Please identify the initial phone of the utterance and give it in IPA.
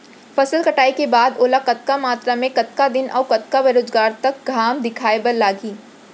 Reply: f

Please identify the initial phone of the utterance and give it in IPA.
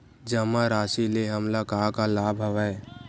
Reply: d͡ʒ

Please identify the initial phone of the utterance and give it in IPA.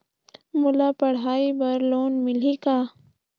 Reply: m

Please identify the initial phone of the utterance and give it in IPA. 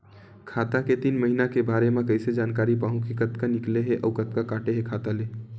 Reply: kʰ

